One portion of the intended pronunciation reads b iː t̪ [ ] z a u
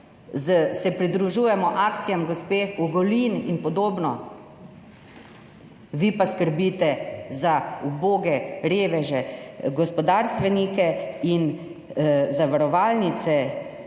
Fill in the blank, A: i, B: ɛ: B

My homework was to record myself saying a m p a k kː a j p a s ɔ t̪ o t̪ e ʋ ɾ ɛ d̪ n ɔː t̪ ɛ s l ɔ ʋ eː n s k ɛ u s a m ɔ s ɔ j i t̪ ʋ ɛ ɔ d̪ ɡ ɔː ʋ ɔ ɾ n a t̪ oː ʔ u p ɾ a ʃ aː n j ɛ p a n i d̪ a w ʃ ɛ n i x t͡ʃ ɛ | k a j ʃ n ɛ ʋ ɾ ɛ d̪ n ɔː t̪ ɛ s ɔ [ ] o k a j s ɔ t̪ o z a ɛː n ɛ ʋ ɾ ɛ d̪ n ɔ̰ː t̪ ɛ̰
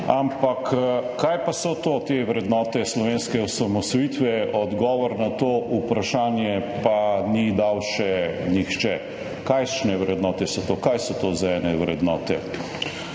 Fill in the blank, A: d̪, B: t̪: B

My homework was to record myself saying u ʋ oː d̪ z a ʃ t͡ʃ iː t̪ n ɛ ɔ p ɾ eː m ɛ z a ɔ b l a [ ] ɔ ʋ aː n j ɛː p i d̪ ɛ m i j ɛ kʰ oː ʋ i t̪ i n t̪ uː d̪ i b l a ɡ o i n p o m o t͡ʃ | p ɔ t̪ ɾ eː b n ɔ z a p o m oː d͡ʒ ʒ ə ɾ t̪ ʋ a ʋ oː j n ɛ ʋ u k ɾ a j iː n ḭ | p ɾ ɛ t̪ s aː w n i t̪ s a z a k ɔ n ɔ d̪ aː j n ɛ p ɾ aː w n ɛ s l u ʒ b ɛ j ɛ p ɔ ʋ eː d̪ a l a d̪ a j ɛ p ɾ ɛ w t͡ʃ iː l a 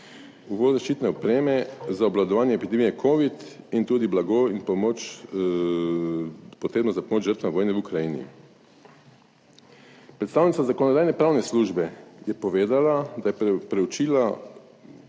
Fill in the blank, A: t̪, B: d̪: B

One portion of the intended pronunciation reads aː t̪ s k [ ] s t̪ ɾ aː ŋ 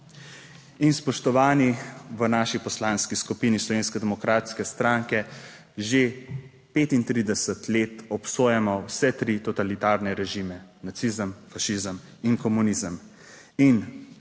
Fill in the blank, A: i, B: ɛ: B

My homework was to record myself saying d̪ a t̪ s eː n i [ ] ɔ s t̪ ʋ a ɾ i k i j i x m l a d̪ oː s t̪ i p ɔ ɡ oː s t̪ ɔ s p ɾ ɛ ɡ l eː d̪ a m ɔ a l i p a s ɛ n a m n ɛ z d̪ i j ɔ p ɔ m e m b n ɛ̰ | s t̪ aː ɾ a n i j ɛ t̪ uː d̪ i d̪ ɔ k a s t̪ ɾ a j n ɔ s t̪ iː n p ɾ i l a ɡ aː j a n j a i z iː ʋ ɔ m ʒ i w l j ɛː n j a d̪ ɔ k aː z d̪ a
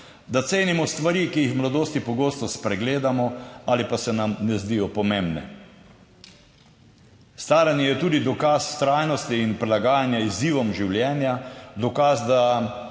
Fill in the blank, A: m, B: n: A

